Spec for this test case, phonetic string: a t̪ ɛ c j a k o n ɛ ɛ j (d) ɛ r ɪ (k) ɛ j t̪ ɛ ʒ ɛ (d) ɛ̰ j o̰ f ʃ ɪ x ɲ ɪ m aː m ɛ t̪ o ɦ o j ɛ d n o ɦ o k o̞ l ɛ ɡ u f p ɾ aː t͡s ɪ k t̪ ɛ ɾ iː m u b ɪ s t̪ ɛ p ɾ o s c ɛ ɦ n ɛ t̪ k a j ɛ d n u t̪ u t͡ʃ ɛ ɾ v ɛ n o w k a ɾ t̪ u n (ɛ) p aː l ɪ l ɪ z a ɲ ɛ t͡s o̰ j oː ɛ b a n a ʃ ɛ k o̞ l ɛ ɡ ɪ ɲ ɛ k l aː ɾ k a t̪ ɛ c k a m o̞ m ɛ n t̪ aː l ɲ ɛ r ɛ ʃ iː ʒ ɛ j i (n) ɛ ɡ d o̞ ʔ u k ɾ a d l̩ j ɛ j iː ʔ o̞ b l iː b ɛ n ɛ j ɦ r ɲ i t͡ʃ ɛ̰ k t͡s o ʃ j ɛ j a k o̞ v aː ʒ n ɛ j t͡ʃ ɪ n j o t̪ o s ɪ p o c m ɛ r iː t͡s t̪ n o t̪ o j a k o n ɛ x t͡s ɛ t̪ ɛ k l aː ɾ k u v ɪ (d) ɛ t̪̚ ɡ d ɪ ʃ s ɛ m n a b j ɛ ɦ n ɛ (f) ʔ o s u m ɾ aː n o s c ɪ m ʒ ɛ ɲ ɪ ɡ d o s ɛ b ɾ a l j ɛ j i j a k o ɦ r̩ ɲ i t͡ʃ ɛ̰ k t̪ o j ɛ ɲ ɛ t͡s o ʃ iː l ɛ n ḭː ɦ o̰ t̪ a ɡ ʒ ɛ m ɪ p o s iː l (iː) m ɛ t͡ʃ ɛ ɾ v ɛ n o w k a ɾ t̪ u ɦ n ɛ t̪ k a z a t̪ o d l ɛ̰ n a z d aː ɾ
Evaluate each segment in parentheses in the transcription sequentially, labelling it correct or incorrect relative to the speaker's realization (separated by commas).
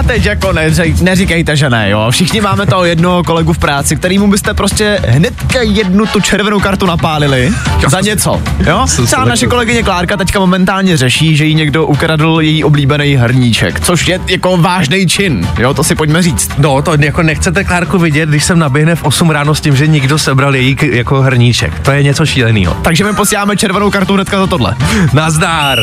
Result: incorrect, correct, incorrect, incorrect, incorrect, incorrect, correct, incorrect